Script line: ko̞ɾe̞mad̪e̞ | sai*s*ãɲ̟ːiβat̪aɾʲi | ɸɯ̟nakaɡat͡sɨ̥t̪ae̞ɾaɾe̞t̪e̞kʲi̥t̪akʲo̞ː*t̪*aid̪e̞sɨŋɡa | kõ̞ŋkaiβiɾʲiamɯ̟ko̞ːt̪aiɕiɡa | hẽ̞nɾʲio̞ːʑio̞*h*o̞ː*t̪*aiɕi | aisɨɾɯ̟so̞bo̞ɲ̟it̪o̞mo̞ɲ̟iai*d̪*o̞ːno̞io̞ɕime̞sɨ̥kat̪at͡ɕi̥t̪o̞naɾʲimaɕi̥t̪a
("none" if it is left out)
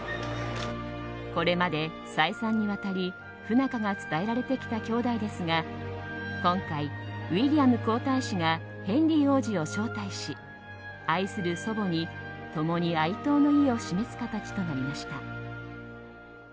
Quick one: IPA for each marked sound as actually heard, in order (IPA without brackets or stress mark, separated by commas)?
s, d̪, ɕ, t̪, t̪